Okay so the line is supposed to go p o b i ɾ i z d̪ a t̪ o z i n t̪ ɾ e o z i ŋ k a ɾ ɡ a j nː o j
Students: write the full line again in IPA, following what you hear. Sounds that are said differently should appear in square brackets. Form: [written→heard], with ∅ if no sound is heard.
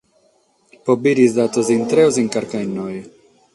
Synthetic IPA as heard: p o b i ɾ i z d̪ a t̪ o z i n t̪ ɾ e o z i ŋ k a ɾ [ɡ→k] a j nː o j